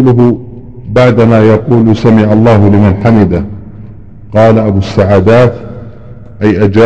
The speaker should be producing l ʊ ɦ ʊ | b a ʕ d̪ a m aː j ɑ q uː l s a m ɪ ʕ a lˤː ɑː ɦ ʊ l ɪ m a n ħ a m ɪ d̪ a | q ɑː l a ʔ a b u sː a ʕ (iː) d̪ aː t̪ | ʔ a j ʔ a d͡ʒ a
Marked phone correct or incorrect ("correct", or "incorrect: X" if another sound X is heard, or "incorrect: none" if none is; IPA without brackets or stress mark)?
incorrect: aː